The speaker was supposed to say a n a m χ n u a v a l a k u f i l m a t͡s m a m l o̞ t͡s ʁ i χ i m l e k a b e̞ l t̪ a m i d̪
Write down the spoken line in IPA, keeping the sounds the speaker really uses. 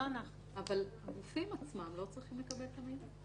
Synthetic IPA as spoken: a n a χ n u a v a l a ɡ u f i m a t͡s m a m l o̞ t͡s ʁ i χ i m l e k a b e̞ l t̪ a m i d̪